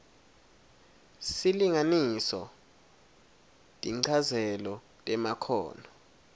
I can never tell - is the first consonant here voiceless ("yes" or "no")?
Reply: yes